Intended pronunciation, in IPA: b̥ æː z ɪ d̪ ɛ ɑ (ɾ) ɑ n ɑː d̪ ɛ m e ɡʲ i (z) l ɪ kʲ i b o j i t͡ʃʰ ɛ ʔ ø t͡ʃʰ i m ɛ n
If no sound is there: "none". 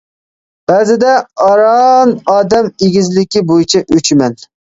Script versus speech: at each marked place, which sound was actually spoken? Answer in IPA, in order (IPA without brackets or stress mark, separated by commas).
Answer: ɾ, z